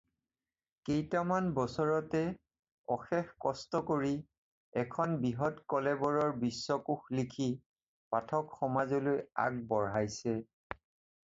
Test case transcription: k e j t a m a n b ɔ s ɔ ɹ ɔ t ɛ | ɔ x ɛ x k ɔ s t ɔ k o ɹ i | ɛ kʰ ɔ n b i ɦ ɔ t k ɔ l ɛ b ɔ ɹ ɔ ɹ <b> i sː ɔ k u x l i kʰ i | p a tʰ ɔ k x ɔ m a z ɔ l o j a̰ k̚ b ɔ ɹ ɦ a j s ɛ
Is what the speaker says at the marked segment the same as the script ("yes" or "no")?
yes